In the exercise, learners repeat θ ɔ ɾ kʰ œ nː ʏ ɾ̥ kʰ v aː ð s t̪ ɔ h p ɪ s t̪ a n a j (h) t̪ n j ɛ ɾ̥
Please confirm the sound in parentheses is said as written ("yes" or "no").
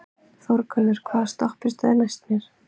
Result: no